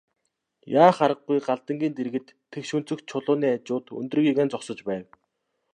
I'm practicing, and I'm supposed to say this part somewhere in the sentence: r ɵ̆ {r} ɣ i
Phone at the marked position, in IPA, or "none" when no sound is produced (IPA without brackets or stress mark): none